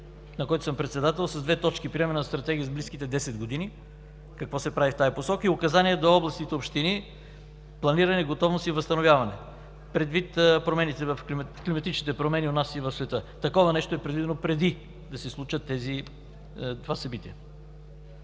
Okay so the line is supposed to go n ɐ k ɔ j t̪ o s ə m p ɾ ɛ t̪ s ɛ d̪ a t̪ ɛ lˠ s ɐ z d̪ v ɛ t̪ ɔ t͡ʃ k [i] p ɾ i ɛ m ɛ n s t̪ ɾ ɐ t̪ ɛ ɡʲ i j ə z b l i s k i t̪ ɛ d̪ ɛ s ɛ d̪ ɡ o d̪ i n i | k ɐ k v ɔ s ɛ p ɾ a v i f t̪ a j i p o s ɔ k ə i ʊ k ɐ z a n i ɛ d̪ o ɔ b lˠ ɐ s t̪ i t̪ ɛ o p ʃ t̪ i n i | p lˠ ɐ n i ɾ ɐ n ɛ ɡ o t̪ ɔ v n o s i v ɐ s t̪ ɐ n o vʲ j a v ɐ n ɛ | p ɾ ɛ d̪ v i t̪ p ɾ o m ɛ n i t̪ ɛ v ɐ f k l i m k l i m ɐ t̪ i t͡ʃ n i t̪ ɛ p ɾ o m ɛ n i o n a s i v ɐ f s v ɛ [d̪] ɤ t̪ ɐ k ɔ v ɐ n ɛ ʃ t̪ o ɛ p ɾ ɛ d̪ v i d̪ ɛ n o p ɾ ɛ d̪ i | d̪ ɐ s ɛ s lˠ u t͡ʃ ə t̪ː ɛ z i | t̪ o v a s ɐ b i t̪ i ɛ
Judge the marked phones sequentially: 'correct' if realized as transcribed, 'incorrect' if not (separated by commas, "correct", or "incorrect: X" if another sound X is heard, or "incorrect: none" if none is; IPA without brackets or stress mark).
correct, incorrect: t̪